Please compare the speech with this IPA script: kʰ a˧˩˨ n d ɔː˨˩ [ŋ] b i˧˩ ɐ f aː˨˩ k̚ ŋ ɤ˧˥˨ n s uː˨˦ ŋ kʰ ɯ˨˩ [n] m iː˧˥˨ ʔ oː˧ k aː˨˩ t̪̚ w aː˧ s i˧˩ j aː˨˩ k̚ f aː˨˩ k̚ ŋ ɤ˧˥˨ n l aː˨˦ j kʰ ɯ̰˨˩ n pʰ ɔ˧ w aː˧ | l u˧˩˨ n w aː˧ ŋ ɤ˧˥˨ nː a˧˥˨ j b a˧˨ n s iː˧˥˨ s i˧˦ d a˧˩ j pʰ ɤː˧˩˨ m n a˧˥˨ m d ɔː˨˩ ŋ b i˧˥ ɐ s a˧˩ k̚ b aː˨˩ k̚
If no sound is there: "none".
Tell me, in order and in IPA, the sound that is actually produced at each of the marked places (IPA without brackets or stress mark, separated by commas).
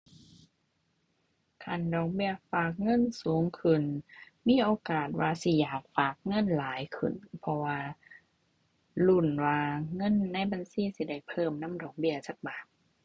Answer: ŋ, n